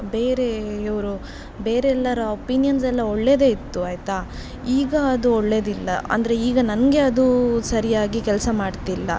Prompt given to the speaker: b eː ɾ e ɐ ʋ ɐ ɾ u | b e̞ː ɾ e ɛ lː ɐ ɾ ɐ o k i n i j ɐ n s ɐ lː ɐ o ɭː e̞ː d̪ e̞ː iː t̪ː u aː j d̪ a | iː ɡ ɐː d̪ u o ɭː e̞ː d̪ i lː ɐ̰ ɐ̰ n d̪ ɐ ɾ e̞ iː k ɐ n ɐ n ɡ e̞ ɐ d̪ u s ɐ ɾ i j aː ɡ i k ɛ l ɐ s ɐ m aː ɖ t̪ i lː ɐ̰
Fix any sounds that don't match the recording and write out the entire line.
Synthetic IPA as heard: b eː ɾ e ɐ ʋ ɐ ɾ u | b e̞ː ɾ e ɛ lː ɐ ɾ ɐ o p i n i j ɐ n s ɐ lː ɐ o ɭː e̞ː d̪ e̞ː i t̪ː u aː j t̪ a | iː ɡ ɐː d̪ u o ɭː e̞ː d̪ i lː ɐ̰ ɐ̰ n d̪ ɐ ɾ e̞ iː ɡ ɐ n ɐ n ɡ e̞ ɐ d̪ u s ɐ ɾ i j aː ɡ i k ɛ l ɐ s ɐ m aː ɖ t̪ i lː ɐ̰